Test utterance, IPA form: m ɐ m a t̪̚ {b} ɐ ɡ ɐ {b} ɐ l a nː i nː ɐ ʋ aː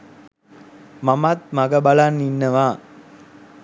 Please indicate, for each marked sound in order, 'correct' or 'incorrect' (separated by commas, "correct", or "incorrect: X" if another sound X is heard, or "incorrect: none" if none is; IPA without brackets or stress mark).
incorrect: m, correct